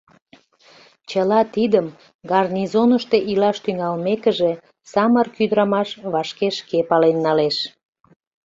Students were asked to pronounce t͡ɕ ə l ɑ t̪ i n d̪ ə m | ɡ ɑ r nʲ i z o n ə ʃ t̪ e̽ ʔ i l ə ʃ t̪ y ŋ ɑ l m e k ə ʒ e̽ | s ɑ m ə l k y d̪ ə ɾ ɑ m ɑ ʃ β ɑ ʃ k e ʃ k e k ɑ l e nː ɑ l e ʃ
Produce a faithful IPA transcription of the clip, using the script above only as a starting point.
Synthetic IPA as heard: t͡ɕ ə l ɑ t̪ i d̪ ə m | ɡ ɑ r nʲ i z o n ə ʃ t̪ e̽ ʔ i l ɑ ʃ t̪ y ŋ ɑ l m e k ə ʒ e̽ | s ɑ m ə r k y d̪ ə ɾ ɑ m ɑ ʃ β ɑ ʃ k e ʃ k e p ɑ l e nː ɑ l e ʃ